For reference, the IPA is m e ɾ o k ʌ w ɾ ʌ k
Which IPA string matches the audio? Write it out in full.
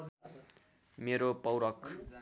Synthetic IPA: m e ɾ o p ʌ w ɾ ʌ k